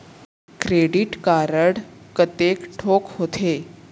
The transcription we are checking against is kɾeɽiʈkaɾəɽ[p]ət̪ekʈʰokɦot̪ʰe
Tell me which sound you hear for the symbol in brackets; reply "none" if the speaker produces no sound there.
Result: k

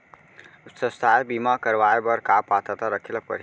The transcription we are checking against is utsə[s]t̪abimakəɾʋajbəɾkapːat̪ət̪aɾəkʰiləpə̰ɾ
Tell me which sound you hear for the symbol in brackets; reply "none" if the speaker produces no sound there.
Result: s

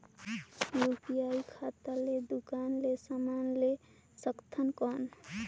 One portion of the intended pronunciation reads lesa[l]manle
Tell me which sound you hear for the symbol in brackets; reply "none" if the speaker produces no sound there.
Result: none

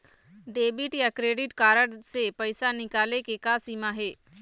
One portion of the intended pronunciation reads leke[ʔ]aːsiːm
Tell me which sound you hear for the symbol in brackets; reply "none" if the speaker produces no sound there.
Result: k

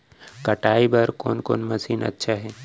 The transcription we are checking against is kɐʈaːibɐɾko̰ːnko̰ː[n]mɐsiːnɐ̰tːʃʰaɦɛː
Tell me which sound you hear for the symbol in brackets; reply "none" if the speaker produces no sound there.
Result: n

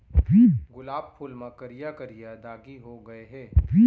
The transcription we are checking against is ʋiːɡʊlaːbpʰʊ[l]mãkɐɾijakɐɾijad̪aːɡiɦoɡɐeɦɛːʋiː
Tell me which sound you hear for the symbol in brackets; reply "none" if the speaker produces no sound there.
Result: l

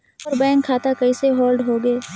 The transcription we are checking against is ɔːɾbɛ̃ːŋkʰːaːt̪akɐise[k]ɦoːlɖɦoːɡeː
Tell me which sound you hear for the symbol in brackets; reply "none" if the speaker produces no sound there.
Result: none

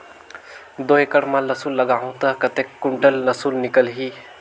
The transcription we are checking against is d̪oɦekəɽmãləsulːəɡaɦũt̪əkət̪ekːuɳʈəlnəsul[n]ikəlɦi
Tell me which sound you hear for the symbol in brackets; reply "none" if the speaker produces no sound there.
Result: n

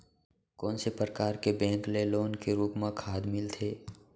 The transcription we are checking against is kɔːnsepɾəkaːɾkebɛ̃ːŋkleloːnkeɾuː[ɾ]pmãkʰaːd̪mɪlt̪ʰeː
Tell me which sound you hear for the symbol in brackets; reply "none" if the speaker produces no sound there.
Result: none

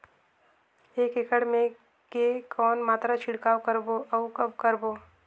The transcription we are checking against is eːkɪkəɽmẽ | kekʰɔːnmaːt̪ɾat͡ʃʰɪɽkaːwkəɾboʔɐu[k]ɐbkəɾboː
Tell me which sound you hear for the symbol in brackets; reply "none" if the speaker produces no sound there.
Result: k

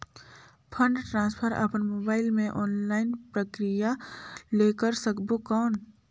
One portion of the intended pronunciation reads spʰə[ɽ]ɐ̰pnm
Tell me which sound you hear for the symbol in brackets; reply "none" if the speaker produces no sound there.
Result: ɾ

